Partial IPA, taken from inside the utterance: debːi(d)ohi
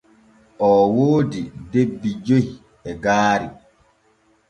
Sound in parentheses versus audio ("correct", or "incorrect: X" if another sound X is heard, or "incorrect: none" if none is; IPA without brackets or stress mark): incorrect: d͡ʒ